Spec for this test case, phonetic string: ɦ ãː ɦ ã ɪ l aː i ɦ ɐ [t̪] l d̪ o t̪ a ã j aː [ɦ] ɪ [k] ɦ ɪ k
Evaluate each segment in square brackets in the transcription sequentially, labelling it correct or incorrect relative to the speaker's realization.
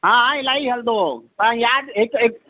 incorrect: none, correct, correct

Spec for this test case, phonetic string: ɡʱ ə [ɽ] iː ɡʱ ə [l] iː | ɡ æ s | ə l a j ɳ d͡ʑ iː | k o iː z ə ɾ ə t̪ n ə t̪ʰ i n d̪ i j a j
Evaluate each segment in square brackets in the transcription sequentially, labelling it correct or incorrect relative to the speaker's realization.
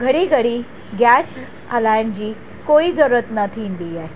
correct, incorrect: ɽ

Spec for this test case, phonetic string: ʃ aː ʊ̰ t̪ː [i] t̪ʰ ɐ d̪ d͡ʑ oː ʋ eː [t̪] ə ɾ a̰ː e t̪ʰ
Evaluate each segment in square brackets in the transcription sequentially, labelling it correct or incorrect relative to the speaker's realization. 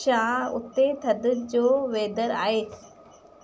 incorrect: e, incorrect: d̪

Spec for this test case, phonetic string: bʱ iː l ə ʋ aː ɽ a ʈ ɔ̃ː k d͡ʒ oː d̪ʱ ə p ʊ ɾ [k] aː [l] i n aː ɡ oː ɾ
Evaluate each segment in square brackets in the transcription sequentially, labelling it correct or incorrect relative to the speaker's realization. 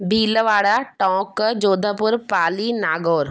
incorrect: p, correct

